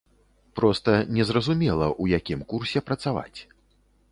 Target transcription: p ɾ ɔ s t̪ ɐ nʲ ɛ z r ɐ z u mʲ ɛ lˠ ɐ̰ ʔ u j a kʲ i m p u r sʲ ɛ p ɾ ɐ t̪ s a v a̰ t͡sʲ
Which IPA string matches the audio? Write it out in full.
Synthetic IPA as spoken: p ɾ ɔ s t̪ ɐ nʲ ɛ z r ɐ z u mʲ ɛ lˠ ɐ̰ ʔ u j a kʲ i m k u r sʲ ɛ p ɾ ɐ t̪ s a v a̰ t͡sʲ